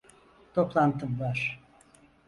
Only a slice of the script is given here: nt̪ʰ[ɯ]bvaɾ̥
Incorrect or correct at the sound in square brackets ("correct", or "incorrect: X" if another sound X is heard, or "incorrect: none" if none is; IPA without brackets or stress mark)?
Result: correct